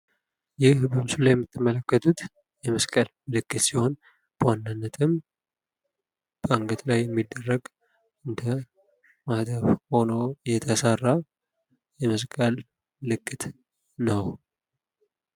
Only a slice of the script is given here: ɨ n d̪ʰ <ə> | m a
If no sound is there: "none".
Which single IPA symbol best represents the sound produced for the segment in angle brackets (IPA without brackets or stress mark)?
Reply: ə